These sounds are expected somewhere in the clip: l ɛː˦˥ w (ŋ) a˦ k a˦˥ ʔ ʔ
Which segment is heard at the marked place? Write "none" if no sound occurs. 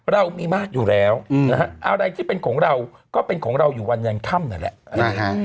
n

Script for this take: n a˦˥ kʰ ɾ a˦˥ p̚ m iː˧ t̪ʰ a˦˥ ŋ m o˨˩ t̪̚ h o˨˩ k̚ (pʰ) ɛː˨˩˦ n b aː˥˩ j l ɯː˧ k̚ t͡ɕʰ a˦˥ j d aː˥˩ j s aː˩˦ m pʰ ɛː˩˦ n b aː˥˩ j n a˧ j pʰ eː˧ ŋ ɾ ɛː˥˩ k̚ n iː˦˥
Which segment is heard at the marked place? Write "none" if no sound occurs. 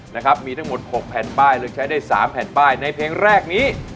pʰ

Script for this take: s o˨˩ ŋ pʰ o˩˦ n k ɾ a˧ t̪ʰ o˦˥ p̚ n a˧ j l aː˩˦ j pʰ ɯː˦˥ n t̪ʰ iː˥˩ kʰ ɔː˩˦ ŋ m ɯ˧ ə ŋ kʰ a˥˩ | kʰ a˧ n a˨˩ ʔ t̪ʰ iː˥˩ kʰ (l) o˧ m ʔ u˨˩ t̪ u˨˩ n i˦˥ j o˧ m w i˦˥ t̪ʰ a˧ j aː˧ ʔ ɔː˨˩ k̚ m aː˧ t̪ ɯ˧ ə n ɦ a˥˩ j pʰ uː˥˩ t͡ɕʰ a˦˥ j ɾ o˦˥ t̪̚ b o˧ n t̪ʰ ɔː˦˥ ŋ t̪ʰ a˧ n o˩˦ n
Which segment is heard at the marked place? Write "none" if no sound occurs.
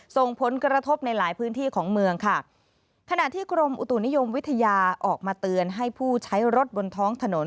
ɾ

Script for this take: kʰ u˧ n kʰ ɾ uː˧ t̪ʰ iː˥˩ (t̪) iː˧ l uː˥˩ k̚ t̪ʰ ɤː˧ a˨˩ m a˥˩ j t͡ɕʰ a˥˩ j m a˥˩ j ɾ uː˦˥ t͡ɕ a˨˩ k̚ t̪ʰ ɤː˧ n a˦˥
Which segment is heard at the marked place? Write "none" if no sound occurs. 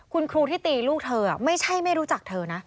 t̪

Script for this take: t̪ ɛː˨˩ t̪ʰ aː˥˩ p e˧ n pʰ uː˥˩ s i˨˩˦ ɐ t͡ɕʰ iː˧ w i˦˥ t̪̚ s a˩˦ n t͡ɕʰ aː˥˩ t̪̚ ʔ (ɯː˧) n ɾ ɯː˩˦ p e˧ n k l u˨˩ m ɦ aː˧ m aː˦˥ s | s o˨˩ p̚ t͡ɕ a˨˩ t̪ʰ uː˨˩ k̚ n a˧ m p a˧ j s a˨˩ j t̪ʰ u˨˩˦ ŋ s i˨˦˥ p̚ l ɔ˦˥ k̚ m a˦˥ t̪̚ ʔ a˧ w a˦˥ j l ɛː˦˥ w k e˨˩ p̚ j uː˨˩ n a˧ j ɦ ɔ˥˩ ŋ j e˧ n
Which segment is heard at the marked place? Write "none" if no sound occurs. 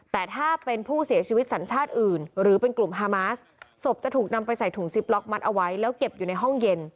ɯː˨˩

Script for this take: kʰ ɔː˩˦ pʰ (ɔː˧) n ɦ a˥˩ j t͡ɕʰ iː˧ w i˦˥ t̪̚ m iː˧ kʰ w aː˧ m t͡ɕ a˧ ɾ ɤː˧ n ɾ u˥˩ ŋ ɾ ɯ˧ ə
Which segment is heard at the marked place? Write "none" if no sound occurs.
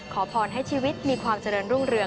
ɔː˧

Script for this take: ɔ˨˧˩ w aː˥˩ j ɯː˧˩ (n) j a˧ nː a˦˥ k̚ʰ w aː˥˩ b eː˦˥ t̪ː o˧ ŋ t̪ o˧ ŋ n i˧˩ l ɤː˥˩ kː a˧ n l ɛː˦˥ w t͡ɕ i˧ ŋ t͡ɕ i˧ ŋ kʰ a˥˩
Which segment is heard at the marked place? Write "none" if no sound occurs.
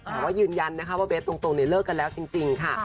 n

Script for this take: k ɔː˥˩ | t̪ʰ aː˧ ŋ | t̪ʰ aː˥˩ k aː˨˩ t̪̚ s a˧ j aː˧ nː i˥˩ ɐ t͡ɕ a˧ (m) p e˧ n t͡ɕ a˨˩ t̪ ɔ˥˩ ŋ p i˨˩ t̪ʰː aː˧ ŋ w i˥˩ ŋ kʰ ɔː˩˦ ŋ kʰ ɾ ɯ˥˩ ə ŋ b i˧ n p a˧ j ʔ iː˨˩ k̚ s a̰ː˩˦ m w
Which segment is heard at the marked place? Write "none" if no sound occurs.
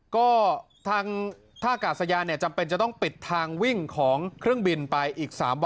m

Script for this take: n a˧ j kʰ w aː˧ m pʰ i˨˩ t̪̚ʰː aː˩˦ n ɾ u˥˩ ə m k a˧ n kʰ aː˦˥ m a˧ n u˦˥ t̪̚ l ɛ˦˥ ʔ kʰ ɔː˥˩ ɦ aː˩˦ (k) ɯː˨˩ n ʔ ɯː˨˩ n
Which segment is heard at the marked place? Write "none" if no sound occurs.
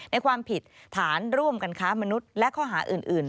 ʔ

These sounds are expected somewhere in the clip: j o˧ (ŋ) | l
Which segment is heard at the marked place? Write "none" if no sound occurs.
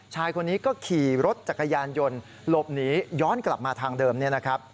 n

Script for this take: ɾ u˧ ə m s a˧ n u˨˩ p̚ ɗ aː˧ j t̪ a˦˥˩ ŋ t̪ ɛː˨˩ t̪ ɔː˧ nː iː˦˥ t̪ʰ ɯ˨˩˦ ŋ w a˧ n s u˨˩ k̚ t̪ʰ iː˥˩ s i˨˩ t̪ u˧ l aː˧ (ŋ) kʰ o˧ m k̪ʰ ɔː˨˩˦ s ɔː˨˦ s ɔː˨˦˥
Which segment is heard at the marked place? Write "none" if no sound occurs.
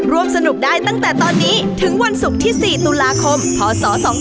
none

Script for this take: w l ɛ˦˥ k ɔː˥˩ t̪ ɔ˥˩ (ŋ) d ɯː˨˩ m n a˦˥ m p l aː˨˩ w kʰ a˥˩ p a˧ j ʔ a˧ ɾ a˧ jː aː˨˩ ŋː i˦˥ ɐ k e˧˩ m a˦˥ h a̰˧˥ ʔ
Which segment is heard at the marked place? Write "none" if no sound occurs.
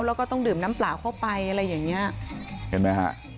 ŋ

